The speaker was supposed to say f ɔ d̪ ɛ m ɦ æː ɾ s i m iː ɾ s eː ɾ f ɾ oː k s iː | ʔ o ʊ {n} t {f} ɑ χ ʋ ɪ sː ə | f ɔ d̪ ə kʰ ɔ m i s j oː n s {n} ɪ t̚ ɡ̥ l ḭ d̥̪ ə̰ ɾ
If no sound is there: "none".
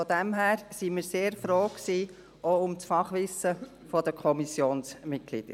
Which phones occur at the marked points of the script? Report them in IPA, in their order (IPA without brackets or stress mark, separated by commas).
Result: m, f, m